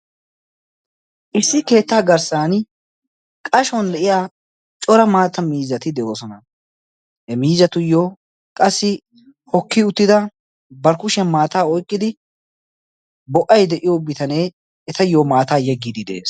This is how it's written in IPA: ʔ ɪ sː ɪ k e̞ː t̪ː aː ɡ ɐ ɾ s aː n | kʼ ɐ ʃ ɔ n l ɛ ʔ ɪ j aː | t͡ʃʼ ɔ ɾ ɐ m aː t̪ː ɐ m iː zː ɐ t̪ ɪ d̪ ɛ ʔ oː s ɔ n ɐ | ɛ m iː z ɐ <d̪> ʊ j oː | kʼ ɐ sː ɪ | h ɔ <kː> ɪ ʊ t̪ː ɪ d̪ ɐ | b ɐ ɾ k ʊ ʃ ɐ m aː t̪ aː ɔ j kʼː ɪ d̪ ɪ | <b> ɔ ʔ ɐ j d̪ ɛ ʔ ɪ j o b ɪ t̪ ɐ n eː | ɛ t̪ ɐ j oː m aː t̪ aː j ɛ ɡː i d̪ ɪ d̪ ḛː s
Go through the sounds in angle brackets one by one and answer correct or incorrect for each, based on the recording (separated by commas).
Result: incorrect, correct, correct